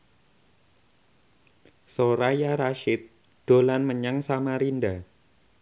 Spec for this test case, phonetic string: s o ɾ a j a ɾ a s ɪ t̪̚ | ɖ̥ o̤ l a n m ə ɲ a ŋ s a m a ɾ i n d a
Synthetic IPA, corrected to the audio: s o ɾ a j a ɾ a ʃ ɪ t̪̚ | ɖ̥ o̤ l a n m ə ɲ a ŋ s a m a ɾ i n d a